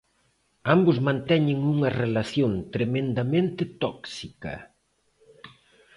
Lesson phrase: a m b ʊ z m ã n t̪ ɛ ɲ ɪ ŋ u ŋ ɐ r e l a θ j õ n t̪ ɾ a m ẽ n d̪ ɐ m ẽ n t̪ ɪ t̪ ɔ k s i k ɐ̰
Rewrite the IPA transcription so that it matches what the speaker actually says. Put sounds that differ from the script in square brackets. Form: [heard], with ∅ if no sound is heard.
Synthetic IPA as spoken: a m b ʊ z m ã n t̪ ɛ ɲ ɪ ŋ u ŋ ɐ r e l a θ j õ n t̪ ɾ [e] m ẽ n d̪ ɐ m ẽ n t̪ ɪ t̪ ɔ k s i k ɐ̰